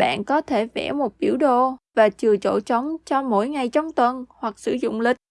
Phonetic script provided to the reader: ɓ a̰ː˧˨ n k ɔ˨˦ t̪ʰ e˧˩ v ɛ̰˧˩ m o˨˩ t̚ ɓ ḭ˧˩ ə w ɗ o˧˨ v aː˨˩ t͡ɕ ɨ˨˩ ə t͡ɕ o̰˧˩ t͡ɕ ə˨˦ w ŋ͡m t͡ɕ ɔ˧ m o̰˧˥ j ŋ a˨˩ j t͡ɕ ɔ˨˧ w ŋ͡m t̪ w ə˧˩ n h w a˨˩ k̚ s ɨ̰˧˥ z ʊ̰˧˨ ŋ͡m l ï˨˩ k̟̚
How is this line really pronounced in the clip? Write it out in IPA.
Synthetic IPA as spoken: ɓ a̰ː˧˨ n k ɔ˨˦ t̪ʰ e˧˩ v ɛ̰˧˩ m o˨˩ t̚ ɓ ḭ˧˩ ə w ɗ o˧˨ v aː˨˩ t͡ɕ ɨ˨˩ ə t͡ɕ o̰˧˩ t͡ɕ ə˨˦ w ŋ͡m t͡ɕ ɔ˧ m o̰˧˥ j ŋ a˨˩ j t͡ɕ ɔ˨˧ w ŋ͡m t̪ w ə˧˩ n h w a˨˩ k̚ s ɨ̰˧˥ z ʊ̰˧˨ ŋ͡m l ï˨˩ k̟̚

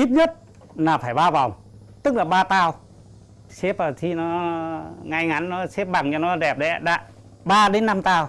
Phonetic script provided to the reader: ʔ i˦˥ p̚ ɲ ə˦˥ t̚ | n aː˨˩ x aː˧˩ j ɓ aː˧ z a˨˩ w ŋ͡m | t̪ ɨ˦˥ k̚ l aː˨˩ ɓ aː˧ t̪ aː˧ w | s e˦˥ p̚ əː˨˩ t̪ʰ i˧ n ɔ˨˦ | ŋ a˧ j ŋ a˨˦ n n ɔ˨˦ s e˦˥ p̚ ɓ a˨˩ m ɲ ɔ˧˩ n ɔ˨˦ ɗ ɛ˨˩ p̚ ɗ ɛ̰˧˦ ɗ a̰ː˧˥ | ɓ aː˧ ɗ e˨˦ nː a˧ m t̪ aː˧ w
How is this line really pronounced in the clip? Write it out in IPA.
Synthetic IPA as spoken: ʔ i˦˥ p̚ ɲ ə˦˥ t̚ | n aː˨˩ f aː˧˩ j ɓ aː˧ v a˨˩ w ŋ͡m | t̪ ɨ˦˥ k̚ l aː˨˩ ɓ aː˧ t̪ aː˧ w | s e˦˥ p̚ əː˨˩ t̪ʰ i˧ n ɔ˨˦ | ŋ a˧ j ŋ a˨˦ n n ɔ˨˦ s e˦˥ p̚ ɓ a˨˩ ŋ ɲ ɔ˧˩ n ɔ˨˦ ɗ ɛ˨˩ p̚ ɗ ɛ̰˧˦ ɗ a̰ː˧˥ | ɓ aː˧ ɗ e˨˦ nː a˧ m t̪ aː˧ w

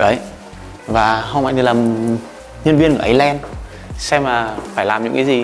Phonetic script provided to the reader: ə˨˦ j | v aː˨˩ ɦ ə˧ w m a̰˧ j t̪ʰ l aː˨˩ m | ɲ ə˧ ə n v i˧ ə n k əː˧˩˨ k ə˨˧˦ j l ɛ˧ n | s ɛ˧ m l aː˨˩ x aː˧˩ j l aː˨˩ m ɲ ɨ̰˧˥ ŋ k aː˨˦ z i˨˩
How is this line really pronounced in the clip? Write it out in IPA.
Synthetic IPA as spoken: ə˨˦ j | v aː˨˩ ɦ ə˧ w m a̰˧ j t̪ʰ l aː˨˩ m | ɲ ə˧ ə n v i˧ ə n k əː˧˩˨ ʔ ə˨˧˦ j l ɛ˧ n | s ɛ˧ m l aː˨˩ f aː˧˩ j l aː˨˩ m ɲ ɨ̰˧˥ ŋ k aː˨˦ z i˨˩

